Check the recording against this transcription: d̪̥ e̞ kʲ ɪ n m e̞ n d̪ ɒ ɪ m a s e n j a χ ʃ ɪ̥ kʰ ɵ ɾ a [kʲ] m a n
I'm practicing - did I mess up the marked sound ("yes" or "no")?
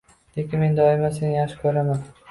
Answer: yes